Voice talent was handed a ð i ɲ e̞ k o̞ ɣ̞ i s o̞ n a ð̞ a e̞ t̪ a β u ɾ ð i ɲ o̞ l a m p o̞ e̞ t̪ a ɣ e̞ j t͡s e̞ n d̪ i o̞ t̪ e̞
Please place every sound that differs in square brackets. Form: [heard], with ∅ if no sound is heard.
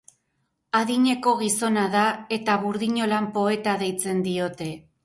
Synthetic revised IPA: a ð i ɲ e̞ k o̞ ɣ̞ i s o̞ n a ð̞ a e̞ t̪ a β u ɾ ð i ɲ o̞ l a m p o̞ e̞ t̪ a [ð] e̞ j t͡s e̞ n d̪ i o̞ t̪ e̞